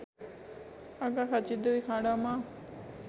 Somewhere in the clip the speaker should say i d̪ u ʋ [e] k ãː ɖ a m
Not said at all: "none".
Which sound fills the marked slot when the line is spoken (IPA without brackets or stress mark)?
i